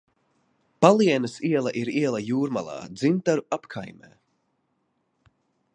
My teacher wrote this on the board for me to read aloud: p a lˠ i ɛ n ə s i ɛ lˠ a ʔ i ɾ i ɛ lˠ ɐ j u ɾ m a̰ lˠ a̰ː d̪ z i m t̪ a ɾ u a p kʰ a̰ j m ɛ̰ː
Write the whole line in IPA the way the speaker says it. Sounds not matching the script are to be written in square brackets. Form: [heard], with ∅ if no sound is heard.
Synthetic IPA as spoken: p a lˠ i ɛ n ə s i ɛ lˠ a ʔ i ɾ i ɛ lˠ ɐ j [uː] ɾ m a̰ lˠ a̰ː d̪ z i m t̪ a ɾ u a p kʰ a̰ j m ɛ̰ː